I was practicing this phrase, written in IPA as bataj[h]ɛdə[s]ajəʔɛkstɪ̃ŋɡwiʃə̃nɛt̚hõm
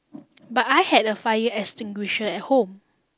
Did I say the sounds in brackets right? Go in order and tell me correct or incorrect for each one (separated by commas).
correct, incorrect